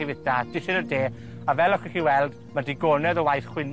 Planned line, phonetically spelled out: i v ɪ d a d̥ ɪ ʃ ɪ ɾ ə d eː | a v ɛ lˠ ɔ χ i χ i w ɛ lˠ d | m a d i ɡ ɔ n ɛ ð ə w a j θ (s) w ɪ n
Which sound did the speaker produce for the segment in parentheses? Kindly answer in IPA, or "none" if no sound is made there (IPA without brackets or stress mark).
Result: χ